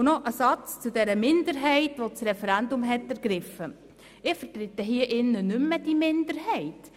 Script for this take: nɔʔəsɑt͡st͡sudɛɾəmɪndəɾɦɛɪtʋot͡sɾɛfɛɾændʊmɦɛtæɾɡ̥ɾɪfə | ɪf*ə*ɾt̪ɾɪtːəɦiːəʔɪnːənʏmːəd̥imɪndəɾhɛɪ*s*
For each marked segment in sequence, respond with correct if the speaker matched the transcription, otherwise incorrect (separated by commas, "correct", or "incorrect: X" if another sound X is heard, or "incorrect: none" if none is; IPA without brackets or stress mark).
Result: correct, incorrect: t